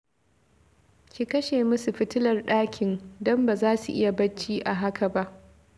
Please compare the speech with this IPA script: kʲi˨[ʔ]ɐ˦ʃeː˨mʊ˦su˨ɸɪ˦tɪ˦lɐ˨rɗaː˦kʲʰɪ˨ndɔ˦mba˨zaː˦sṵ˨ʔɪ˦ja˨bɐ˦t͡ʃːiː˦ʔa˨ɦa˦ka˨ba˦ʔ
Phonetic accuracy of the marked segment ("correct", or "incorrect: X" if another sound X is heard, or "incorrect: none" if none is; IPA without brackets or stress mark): incorrect: k